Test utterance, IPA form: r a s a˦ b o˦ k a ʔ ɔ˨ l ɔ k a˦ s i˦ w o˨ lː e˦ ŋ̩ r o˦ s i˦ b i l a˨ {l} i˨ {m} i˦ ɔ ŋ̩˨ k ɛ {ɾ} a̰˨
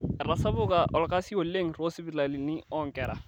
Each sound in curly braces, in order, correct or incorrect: correct, incorrect: n, correct

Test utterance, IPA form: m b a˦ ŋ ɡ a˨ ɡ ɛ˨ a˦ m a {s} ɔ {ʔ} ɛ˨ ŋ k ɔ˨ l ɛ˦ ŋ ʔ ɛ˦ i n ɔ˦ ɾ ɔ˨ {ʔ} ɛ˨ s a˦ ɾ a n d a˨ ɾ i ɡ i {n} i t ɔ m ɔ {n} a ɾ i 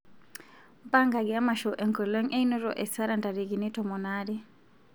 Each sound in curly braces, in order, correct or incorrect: incorrect: ʃ, correct, correct, correct, correct

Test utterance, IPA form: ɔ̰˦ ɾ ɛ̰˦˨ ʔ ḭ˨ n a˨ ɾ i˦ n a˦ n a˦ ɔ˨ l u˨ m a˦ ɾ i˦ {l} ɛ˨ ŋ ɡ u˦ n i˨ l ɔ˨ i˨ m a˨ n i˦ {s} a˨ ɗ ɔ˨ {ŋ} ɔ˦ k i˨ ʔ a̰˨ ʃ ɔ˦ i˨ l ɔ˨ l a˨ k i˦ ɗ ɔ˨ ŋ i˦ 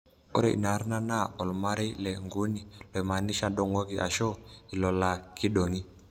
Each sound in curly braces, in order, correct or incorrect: correct, incorrect: ʃ, correct

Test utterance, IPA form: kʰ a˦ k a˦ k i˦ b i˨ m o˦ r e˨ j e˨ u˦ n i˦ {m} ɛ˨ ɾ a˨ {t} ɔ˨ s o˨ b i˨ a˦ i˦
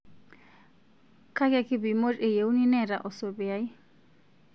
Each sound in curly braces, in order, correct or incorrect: incorrect: n, incorrect: ʔ

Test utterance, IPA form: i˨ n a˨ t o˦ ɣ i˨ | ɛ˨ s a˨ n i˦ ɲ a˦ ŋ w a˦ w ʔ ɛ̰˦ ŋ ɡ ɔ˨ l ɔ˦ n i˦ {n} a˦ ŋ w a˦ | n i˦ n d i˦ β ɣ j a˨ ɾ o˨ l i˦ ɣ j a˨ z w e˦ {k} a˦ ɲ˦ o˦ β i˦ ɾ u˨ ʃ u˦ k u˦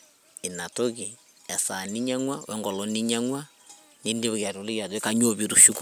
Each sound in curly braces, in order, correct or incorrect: incorrect: ɲ, correct

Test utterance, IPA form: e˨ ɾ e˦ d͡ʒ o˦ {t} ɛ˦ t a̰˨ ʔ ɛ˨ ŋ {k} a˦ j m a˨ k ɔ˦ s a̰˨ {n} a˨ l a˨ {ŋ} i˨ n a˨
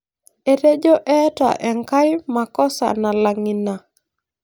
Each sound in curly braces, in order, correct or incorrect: incorrect: ʔ, correct, correct, correct

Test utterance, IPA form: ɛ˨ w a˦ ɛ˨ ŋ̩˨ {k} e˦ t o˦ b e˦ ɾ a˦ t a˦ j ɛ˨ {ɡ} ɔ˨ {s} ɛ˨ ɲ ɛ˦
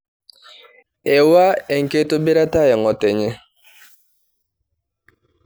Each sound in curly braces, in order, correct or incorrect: correct, incorrect: ŋ, incorrect: t

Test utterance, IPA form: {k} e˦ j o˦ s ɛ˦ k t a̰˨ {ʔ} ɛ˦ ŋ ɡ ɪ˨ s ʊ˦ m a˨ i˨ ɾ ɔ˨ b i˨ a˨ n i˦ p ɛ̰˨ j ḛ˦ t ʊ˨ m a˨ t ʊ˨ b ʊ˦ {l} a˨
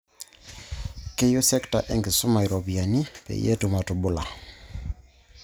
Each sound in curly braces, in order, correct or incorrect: correct, correct, correct

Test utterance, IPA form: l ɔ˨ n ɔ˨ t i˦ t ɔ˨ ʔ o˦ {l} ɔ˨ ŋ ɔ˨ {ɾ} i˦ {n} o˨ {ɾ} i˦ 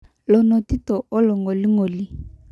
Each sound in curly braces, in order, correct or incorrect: correct, incorrect: l, incorrect: ŋ, incorrect: l

